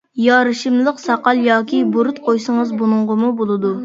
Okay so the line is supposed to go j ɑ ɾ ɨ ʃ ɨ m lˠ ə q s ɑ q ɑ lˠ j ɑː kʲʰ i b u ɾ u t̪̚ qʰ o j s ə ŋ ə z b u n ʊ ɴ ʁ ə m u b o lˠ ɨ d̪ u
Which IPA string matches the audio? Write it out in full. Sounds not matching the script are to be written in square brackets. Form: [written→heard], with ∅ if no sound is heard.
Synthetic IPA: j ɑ ɾ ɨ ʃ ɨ m lˠ ə q s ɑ q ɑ lˠ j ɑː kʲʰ i b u ɾ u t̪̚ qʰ o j s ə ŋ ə z b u n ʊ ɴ ʁ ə m u b o lˠ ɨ d̪ u